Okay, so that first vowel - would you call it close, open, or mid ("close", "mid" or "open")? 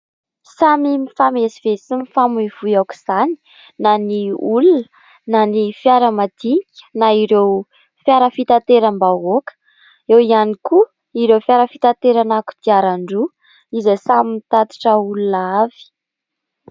open